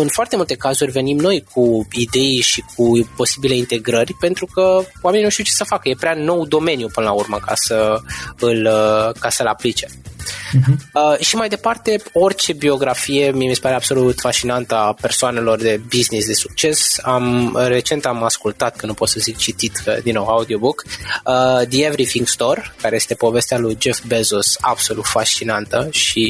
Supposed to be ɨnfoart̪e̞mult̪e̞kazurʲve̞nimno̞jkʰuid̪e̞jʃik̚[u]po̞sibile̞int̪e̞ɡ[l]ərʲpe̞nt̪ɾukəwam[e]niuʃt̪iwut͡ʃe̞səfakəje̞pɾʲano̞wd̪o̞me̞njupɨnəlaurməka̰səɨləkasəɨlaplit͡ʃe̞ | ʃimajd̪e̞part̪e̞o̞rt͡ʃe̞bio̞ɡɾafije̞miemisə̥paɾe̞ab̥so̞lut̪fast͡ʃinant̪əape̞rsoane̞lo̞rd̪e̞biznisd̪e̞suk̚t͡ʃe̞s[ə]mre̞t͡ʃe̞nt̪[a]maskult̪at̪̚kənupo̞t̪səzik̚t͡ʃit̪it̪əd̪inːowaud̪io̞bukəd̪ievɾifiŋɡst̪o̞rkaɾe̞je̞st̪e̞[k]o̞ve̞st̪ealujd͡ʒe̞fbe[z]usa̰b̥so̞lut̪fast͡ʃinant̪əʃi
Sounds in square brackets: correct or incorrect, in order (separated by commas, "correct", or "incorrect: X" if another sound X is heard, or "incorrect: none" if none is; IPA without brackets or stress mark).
correct, incorrect: ɾ, correct, incorrect: a, correct, incorrect: p, correct